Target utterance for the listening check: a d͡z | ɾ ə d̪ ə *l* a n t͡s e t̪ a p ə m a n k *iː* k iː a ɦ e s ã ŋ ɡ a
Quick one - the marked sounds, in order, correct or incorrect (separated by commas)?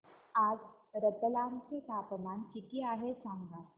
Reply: correct, incorrect